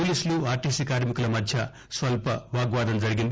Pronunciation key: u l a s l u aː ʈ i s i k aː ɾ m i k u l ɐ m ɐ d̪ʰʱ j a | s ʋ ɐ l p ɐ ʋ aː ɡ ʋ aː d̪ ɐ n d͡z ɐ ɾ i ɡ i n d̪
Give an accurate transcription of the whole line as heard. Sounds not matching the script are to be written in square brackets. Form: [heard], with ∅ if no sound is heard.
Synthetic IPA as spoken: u l [i] s l u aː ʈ i s i k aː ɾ m i k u l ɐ m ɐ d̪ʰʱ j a | s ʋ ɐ l p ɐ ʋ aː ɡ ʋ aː d̪ ɐ n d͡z ɐ ɾ i ɡ i n d̪